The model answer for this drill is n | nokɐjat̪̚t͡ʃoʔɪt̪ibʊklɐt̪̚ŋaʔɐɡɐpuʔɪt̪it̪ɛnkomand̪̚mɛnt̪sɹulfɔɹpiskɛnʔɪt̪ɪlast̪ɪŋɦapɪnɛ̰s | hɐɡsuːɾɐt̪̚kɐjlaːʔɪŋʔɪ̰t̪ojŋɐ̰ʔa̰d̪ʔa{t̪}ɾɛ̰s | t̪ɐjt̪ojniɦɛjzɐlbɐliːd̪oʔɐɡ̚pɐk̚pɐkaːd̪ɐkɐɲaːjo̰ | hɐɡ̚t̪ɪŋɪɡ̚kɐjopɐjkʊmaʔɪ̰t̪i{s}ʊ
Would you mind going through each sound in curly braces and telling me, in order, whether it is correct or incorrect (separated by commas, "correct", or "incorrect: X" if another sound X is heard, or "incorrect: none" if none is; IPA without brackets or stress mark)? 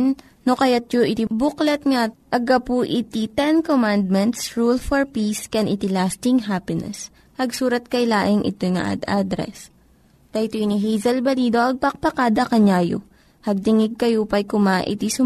incorrect: d̪, correct